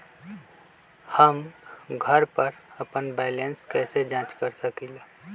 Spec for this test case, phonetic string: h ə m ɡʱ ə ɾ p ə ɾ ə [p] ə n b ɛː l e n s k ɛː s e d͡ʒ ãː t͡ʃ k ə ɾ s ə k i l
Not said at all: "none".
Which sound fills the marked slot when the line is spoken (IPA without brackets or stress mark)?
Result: p